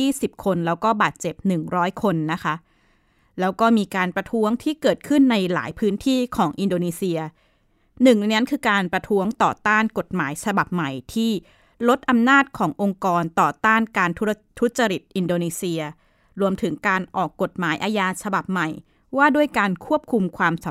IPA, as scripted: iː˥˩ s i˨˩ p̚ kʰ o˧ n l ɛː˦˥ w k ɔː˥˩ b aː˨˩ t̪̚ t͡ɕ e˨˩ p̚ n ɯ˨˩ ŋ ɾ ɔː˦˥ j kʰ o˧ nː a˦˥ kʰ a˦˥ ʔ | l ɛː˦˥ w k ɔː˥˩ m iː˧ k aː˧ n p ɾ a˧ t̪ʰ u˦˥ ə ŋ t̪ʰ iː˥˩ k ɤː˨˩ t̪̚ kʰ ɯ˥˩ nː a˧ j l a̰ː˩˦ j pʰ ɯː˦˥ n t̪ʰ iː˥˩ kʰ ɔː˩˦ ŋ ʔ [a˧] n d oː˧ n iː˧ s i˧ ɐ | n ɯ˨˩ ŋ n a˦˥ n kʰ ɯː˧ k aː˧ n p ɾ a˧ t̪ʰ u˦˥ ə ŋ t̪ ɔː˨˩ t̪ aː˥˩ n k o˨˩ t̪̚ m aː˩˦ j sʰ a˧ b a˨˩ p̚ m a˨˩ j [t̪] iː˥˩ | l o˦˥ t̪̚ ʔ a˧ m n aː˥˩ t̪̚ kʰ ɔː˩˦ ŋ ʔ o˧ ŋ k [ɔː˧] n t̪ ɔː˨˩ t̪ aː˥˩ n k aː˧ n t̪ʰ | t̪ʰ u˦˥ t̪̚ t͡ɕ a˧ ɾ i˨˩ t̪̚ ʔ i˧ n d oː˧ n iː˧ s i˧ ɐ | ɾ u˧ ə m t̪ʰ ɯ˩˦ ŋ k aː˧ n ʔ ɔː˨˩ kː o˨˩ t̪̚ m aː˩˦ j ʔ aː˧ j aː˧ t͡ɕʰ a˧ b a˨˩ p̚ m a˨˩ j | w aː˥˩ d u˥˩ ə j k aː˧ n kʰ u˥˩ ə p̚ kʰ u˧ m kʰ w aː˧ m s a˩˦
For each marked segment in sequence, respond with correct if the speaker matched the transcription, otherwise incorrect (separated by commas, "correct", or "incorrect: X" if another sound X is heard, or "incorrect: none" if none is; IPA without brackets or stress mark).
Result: incorrect: i˧, incorrect: t̪ʰ, correct